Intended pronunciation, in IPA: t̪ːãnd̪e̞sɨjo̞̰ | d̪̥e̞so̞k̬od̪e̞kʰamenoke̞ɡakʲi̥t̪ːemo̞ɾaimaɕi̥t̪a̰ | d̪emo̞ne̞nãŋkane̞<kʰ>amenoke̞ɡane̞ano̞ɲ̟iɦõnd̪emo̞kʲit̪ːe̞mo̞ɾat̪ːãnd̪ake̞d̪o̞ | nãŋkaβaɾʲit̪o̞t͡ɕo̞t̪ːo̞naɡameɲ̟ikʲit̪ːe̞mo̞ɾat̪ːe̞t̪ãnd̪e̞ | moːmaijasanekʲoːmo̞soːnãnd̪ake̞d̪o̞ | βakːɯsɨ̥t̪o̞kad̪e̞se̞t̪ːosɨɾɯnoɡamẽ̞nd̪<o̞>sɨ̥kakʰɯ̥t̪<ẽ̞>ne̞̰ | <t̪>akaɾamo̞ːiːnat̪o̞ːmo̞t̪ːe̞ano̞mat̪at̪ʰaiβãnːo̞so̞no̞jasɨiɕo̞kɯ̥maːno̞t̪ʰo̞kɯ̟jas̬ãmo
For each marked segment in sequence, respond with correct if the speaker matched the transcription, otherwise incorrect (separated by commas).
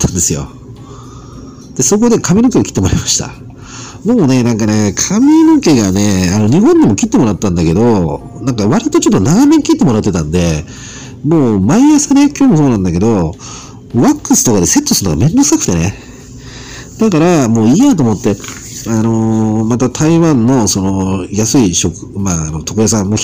correct, correct, incorrect, incorrect